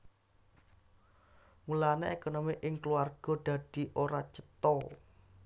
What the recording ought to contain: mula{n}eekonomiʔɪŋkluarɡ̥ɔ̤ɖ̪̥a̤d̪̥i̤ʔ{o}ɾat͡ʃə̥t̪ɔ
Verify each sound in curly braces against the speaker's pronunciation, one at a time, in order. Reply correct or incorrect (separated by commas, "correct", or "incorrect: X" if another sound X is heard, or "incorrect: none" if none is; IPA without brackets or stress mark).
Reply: correct, correct